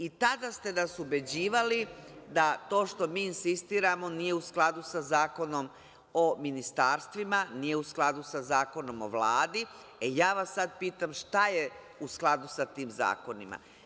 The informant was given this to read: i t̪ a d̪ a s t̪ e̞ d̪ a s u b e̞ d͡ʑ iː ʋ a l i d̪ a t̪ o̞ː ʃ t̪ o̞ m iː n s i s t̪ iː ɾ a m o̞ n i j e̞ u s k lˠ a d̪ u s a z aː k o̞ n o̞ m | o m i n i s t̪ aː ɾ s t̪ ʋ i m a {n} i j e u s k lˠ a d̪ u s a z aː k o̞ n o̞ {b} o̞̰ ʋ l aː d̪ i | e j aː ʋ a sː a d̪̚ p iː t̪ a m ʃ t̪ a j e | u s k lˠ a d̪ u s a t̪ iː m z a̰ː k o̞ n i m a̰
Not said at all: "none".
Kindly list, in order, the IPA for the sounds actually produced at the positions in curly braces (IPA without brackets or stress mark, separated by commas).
n, m